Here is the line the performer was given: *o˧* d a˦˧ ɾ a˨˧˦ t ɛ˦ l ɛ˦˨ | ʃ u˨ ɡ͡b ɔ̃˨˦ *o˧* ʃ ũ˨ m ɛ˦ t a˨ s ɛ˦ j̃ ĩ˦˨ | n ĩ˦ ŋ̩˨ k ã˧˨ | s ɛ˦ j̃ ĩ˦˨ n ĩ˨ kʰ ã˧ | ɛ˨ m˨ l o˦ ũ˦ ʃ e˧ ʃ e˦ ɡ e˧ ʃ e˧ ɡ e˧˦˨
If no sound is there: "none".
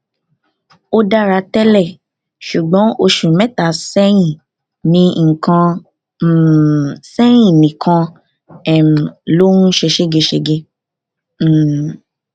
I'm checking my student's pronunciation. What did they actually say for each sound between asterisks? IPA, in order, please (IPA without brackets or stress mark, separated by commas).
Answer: o˧, o˧